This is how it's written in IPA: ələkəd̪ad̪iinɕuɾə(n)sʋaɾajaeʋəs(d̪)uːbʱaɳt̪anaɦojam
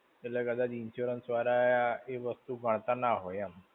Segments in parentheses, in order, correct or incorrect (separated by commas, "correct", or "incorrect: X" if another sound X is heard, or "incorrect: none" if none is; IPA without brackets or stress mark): correct, incorrect: t̪